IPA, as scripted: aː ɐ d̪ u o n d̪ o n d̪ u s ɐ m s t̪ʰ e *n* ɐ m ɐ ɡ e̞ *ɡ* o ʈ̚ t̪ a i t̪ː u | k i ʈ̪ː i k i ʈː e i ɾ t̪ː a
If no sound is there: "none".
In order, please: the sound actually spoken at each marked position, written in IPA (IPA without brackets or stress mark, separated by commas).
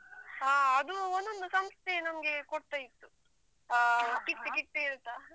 n, k